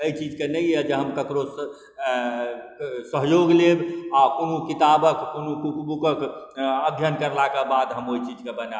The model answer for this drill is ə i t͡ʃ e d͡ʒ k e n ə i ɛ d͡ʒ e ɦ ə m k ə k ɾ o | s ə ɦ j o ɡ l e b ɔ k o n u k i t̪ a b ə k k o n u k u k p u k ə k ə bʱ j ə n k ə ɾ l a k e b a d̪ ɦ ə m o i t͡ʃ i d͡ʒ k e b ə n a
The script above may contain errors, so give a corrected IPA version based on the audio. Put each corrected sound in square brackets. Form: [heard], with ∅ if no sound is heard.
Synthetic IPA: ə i t͡ʃ [i] d͡ʒ k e n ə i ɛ d͡ʒ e ɦ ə m k ə k ɾ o | s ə ɦ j o ɡ l e b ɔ k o n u k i t̪ a b ə k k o n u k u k [b] u k ə k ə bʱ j ə n k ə ɾ l a k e b a d̪ ɦ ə m o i t͡ʃ i d͡ʒ k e b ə n a